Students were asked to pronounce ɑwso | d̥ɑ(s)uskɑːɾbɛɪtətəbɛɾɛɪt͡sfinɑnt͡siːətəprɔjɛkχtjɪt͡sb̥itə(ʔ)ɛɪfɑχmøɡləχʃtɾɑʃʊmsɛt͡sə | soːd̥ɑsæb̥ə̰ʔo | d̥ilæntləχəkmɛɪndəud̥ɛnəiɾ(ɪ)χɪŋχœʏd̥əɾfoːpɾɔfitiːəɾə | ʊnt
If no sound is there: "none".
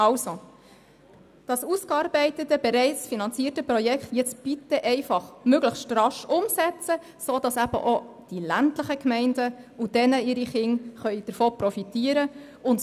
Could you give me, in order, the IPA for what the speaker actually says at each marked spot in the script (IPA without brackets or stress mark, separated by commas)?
s, ʔ, i